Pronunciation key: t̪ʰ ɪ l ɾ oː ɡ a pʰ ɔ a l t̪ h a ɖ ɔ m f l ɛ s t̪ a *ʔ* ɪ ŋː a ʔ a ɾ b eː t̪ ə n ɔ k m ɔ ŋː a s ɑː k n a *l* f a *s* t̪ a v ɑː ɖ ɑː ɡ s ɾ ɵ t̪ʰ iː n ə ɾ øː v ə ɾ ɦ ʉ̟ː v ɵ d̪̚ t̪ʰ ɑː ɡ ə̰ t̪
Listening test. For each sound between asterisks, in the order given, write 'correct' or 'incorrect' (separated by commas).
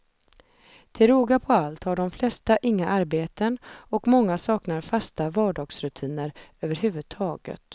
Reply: correct, incorrect, correct